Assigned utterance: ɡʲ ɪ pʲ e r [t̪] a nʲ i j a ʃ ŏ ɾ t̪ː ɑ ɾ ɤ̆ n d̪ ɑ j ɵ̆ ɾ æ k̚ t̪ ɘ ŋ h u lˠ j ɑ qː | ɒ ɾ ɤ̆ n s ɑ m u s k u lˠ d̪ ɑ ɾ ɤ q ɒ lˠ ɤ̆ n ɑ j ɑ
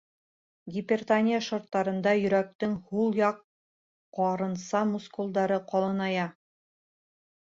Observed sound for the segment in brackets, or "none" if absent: t̪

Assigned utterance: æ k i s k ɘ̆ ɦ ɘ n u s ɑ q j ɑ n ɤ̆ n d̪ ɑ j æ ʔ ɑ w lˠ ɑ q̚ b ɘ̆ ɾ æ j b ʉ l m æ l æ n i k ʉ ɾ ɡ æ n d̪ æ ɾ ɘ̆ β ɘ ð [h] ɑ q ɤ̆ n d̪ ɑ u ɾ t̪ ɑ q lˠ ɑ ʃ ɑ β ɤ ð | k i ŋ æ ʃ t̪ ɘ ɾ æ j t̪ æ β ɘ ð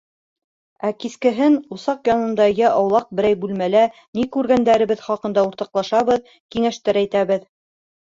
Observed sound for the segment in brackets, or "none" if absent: χ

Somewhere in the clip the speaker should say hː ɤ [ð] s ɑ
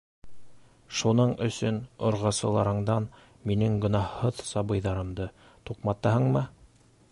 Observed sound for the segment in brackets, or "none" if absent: ð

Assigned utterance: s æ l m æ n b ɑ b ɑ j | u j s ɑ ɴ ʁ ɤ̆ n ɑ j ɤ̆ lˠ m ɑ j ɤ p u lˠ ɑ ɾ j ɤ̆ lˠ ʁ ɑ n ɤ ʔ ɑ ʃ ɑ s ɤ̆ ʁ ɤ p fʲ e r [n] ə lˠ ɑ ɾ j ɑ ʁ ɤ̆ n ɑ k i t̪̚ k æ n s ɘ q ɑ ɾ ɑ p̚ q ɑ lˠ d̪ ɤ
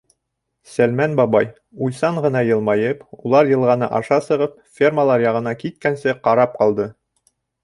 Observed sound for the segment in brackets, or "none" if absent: m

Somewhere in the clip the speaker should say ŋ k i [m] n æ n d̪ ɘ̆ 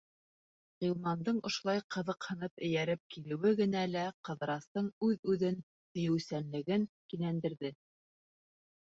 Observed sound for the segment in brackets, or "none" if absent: none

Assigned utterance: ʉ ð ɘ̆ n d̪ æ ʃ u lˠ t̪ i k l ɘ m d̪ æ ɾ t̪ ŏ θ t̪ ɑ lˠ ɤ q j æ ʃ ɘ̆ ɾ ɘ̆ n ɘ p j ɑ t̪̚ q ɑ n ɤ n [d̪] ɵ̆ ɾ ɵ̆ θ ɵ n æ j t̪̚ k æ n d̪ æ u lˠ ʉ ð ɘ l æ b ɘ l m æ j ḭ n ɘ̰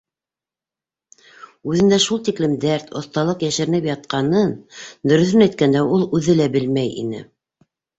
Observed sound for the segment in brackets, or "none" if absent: d̪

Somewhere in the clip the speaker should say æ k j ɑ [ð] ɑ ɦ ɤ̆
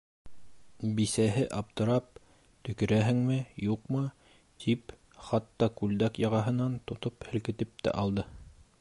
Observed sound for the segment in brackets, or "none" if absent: ʁ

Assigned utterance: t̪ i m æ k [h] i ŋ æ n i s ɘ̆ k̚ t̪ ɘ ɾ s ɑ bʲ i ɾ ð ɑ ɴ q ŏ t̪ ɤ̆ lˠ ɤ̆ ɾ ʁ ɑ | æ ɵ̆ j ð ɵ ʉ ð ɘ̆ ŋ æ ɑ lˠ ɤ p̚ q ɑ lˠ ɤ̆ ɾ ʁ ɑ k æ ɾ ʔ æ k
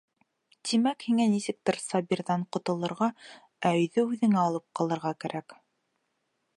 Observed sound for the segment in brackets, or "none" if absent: h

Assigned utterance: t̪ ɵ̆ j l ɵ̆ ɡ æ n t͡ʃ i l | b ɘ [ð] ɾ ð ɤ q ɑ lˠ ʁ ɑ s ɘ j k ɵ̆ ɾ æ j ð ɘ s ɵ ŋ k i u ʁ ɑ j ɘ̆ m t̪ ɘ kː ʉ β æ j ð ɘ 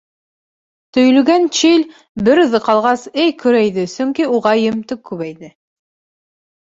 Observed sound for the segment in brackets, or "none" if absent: none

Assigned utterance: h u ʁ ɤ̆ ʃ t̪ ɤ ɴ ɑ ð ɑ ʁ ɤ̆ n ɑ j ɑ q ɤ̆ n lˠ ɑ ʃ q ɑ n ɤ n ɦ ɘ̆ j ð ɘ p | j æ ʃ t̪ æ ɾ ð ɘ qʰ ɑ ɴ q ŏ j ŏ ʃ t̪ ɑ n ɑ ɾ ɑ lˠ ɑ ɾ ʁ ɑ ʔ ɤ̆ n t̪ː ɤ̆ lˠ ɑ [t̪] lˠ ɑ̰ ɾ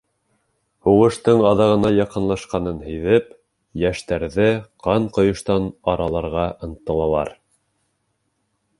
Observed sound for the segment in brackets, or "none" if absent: none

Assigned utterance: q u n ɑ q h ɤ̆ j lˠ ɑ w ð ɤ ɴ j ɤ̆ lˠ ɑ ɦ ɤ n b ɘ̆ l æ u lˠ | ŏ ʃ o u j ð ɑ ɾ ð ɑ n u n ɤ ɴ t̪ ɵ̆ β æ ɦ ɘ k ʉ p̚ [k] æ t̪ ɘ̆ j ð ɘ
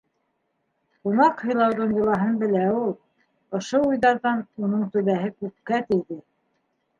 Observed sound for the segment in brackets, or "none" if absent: k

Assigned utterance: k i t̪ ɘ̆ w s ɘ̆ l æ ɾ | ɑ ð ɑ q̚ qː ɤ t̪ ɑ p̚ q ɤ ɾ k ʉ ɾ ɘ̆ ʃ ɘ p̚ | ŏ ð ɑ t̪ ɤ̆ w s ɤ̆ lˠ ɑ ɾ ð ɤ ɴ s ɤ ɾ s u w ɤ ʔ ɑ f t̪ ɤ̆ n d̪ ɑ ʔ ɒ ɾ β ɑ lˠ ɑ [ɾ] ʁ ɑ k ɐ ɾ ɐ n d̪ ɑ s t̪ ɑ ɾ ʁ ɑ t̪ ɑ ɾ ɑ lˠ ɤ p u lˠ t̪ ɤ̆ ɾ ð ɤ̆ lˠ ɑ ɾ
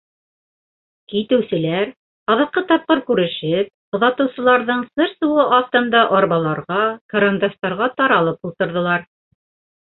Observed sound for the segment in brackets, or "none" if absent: ɾ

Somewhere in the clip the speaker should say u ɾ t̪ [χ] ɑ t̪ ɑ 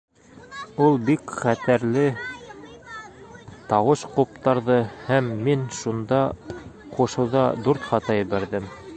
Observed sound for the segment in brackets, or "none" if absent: χ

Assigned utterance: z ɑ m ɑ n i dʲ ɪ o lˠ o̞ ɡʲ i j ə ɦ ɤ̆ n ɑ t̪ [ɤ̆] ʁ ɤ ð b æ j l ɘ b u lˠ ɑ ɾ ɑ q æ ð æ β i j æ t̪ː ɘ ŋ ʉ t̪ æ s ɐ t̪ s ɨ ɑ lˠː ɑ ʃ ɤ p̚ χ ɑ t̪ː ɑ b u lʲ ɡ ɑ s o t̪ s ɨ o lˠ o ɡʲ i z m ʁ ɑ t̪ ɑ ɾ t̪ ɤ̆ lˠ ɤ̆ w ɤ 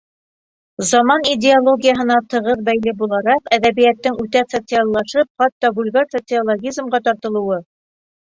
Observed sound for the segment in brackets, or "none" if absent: ɤ̆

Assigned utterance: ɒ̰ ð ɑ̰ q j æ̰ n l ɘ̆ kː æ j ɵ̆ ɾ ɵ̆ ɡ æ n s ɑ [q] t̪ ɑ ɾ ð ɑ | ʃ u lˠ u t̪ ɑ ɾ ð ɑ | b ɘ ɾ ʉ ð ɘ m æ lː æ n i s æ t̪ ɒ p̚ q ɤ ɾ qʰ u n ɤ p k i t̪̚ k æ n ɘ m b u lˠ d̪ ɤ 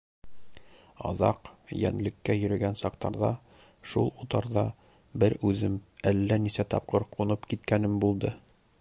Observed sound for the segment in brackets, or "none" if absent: q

